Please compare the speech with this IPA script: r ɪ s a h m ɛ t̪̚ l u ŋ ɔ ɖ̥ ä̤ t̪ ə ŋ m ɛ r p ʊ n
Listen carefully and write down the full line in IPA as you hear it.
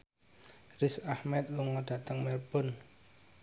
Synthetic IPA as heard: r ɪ s a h m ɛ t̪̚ l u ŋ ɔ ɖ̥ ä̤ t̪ ə ŋ m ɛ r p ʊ n